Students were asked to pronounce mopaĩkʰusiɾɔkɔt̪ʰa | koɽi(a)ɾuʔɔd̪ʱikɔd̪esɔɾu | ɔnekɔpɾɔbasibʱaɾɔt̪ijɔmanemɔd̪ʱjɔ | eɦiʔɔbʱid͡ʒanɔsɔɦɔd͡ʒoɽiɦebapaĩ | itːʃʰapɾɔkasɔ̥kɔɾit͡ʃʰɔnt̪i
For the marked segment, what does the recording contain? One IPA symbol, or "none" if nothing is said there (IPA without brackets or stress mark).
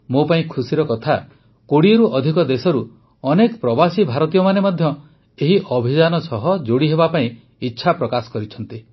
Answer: e